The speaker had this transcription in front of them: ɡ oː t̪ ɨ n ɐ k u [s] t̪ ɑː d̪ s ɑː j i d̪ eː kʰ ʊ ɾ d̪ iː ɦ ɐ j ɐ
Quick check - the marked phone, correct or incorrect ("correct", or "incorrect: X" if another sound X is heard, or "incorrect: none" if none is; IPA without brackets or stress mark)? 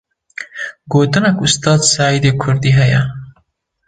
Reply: correct